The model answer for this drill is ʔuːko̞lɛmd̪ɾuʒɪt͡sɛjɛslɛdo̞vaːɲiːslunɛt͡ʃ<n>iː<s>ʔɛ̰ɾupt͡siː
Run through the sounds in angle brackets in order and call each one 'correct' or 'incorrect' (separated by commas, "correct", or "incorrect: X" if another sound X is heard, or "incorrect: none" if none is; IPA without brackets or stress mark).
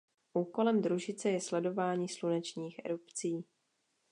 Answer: incorrect: ɲ, incorrect: x